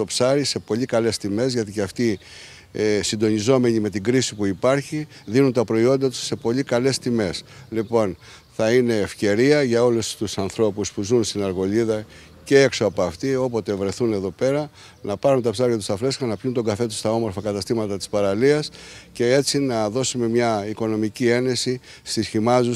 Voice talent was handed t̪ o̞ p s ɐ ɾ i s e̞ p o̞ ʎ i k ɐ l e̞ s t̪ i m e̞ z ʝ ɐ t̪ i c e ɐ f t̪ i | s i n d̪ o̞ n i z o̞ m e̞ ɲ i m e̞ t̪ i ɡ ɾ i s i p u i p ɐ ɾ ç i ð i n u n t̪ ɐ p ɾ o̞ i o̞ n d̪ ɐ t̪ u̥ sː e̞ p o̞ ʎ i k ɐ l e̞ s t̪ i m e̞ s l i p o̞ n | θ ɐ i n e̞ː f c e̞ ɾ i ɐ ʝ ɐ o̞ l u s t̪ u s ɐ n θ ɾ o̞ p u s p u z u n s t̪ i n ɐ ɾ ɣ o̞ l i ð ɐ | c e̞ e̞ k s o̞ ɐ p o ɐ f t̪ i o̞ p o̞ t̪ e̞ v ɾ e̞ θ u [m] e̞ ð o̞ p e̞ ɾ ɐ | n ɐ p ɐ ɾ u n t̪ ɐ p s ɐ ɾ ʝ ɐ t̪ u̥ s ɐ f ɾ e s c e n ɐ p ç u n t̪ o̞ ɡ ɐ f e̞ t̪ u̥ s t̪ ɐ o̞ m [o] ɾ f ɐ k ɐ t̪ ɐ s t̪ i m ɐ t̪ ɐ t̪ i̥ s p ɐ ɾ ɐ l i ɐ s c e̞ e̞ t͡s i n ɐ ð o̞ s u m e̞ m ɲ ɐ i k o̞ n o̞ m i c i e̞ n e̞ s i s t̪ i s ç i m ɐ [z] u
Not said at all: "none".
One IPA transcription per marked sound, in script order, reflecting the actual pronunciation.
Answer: n, o, z

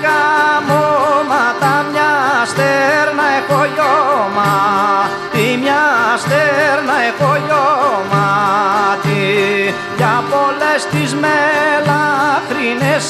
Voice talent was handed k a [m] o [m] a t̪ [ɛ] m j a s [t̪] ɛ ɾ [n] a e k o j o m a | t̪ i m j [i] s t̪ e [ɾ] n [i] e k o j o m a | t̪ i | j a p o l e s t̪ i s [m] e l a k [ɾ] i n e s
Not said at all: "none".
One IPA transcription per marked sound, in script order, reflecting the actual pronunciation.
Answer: m, m, a, t̪, n, a, ɾ, a, m, ɾ

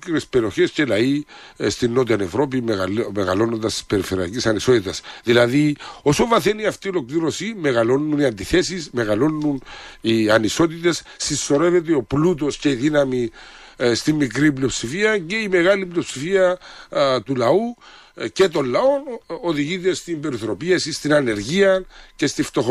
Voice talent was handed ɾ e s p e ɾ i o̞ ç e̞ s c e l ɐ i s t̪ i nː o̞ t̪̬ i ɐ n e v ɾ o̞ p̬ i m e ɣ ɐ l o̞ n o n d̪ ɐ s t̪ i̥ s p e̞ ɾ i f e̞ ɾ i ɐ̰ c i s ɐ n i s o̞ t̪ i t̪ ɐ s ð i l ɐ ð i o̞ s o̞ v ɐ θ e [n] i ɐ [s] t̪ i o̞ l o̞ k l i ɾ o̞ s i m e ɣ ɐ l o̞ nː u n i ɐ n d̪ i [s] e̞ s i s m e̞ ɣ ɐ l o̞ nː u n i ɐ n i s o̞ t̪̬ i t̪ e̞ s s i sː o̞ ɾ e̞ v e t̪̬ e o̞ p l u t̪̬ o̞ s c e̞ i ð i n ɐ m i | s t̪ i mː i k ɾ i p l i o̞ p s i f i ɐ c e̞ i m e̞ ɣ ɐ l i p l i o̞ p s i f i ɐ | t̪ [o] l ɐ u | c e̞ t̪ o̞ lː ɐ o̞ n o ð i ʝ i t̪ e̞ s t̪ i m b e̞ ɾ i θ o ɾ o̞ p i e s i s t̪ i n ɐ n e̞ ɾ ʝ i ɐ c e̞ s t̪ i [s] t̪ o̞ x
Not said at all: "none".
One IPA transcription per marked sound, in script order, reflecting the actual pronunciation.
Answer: n, f, θ, u, f

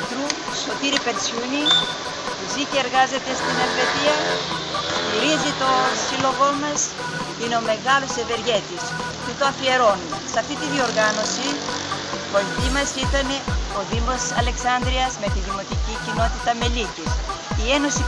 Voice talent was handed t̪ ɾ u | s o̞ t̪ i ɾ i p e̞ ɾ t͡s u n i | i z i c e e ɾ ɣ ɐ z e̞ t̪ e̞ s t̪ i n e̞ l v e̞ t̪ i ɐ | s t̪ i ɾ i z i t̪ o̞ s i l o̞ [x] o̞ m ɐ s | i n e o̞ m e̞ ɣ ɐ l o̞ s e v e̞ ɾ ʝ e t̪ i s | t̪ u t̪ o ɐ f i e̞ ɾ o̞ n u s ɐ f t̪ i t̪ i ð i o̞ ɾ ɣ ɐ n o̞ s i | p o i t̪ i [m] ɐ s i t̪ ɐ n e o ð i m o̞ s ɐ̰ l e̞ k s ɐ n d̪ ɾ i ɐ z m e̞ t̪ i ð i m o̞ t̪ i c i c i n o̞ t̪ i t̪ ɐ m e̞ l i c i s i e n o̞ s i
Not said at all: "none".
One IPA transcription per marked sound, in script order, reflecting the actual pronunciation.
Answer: ɣ, m

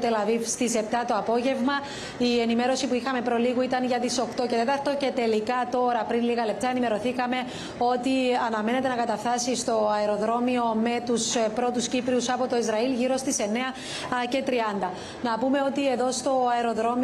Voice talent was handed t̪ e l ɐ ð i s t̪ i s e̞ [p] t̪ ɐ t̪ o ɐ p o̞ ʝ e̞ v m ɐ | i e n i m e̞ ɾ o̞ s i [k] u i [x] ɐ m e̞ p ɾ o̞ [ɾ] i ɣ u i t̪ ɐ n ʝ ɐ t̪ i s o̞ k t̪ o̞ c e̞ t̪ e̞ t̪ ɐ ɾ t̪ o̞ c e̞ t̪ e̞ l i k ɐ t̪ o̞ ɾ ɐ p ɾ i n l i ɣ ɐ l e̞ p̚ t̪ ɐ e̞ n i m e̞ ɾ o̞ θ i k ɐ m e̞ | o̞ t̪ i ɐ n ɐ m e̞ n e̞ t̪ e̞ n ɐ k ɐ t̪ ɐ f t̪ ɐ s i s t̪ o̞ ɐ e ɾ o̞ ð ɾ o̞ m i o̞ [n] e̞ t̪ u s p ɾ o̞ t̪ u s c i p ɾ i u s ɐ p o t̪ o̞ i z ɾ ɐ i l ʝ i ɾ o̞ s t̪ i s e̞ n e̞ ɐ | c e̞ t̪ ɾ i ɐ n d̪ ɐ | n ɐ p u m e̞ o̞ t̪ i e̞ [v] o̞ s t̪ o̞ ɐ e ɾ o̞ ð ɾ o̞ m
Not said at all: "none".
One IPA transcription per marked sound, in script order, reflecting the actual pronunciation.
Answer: p, p, x, l, m, ð

